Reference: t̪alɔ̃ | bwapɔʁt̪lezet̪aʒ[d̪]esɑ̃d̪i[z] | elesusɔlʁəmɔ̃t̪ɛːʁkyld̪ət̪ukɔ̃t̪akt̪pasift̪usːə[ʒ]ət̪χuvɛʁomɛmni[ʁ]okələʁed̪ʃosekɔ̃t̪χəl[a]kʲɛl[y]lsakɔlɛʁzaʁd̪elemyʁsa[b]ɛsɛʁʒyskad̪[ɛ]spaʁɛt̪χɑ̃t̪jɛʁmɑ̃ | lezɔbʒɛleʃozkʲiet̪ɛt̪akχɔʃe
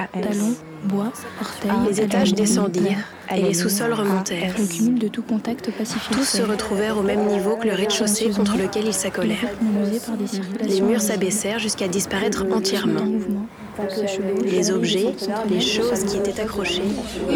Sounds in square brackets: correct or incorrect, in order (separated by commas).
correct, incorrect, incorrect, incorrect, incorrect, incorrect, correct, incorrect